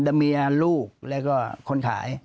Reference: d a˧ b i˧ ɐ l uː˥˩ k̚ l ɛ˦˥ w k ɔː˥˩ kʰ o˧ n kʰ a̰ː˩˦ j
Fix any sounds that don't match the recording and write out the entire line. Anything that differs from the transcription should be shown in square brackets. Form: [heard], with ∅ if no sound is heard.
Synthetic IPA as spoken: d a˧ [m] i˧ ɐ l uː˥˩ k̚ l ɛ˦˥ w k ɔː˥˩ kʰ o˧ n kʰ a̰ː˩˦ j